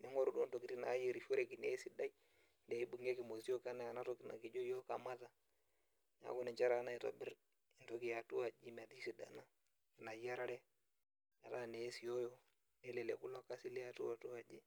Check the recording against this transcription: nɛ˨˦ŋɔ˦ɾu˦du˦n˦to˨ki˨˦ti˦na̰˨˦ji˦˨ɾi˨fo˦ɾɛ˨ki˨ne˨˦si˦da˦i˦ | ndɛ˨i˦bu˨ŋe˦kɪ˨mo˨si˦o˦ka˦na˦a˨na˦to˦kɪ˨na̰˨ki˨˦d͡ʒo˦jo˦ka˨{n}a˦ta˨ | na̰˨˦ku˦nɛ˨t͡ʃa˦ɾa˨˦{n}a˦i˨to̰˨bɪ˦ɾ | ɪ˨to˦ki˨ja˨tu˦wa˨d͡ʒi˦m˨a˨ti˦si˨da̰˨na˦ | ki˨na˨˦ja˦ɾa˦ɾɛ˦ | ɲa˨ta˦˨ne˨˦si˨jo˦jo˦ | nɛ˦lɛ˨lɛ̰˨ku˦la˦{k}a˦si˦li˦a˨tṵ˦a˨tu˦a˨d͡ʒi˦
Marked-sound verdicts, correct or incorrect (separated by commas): incorrect, correct, correct